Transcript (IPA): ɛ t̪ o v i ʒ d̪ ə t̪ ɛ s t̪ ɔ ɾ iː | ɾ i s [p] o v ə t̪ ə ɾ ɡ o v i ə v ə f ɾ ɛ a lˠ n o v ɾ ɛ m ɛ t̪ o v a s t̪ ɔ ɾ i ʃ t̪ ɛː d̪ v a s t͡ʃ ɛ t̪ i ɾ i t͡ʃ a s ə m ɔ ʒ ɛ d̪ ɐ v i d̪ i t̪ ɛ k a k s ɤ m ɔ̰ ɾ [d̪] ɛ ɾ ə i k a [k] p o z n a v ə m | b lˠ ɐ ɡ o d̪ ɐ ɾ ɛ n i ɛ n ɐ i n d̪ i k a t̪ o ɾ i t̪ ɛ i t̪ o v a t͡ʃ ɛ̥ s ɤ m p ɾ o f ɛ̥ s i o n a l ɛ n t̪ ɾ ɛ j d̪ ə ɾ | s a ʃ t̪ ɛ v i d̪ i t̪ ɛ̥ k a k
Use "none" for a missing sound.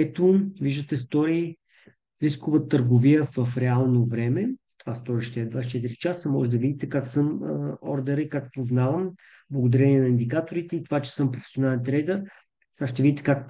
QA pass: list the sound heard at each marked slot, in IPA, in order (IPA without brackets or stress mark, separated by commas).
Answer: k, d̪, k